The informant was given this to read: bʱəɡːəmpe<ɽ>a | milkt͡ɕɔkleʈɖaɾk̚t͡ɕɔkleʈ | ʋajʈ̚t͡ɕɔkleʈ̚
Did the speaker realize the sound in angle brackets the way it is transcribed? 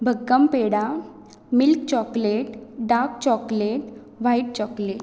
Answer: yes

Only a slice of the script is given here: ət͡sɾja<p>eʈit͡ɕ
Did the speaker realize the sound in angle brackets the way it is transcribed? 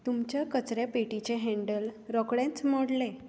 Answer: yes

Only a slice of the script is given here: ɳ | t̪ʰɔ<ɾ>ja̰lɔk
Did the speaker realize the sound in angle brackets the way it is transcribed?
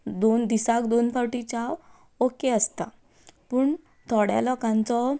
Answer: no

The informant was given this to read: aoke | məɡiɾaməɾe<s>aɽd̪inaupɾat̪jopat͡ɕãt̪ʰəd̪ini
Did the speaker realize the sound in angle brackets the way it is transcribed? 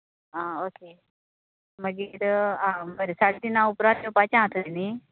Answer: yes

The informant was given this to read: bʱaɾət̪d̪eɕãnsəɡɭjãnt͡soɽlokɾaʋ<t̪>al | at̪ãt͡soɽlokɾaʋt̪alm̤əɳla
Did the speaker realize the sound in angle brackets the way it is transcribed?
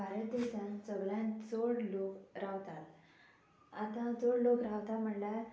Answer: yes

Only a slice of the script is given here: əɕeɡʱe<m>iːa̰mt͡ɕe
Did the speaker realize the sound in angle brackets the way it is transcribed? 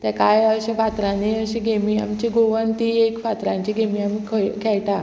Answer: yes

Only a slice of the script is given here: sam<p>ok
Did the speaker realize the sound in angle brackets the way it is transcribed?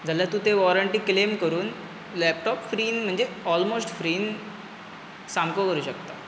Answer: no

